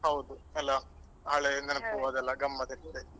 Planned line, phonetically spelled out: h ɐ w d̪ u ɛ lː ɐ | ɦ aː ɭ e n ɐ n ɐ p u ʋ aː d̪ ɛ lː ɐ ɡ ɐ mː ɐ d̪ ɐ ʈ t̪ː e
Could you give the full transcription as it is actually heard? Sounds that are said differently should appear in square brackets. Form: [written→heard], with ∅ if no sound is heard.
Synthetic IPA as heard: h ɐ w d̪ u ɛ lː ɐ | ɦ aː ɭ e n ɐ n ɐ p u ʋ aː d̪ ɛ lː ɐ ɡ ɐ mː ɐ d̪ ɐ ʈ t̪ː e